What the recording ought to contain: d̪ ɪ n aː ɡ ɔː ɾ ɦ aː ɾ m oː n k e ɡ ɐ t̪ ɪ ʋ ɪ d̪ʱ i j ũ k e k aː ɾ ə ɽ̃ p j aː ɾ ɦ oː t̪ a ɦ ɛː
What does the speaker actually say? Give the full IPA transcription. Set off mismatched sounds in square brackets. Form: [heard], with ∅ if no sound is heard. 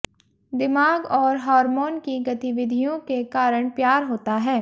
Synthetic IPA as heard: d̪ ɪ [m] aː ɡ ɔː ɾ ɦ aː ɾ m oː n k [i] ɡ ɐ t̪ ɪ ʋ ɪ d̪ʱ i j [õ] k e k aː ɾ ə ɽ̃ p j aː ɾ ɦ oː t̪ a ɦ ɛː